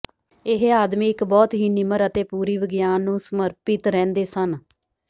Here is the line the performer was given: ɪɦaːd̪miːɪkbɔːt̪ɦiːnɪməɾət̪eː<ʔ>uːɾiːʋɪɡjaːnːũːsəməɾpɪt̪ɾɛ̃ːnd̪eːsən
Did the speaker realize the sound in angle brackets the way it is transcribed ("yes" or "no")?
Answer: no